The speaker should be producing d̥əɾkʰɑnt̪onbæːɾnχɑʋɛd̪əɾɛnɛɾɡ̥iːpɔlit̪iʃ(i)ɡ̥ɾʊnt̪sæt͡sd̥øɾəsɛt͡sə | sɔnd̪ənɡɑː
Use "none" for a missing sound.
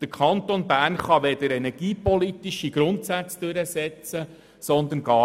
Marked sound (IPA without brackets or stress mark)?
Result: i